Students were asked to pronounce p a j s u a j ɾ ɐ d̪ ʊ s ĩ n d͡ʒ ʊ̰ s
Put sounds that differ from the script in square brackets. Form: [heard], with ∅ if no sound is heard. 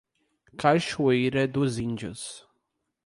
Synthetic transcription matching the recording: [k] a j [ʃ] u [e] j ɾ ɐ d̪ ʊ [z] ĩ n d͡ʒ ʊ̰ s

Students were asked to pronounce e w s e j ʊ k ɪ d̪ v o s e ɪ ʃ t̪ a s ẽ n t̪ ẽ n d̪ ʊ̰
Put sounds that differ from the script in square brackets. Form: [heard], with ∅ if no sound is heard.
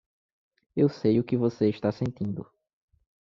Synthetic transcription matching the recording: e w s e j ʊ k ɪ [∅] v o s e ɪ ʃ t̪ a s ẽ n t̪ [ĩ] n d̪ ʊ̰

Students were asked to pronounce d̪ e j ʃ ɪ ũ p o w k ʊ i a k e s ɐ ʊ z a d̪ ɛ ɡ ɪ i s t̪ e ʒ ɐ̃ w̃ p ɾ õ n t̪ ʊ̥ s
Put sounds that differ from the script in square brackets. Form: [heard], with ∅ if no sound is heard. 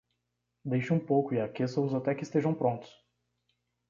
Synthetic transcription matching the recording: d̪ e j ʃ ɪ ũ p o w k ʊ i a k e s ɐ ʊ z a [t̪] ɛ [k] ɪ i s t̪ e ʒ ɐ̃ w̃ p ɾ õ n t̪ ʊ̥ s

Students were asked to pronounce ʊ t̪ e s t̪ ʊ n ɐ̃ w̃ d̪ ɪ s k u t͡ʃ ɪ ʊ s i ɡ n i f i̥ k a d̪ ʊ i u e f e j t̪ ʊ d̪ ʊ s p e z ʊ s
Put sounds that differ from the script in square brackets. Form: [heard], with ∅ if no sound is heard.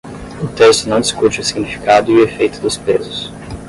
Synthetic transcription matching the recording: ʊ t̪ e s t̪ ʊ n ɐ̃ w̃ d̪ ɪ s k u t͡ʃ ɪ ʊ s i ɡ n i f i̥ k a d̪ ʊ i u e f e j t̪ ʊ d̪ ʊ s p e z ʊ s

